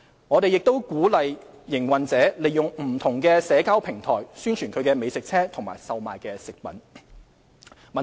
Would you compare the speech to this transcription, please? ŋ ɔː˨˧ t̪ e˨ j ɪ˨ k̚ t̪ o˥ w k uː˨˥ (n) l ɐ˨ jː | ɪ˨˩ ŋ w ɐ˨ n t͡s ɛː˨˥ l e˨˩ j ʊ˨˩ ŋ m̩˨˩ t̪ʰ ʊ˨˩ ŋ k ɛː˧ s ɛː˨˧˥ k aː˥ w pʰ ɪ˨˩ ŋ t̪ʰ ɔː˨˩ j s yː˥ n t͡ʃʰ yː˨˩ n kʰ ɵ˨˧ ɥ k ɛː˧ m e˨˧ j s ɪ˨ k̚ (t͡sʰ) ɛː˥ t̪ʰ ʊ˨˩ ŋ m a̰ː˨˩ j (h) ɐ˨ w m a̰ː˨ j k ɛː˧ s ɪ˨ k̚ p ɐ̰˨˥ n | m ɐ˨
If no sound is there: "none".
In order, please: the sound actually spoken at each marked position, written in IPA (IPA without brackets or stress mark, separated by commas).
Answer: none, t͡sʰ, s